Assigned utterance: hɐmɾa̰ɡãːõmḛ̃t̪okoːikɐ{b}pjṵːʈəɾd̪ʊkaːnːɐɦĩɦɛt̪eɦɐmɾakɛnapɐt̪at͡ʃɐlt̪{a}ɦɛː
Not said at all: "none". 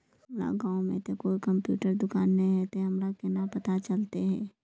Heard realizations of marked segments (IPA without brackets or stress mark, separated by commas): m, e